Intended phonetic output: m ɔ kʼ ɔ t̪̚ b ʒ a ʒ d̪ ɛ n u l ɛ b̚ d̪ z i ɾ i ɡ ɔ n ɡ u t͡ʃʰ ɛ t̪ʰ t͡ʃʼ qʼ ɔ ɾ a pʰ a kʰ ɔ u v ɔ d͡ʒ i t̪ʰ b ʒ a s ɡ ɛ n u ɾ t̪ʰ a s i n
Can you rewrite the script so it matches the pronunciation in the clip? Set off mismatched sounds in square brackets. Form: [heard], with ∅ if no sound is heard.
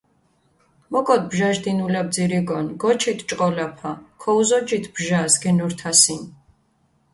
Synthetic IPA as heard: m ɔ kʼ ɔ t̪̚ b ʒ a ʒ d̪ [i] n u l ɛ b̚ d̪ z i ɾ i ɡ ɔ n ɡ [ɔ] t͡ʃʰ [i] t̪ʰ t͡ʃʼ qʼ ɔ [l] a pʰ a kʰ ɔ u [z] ɔ d͡ʒ i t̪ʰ b ʒ a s ɡ ɛ n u ɾ t̪ʰ a s i n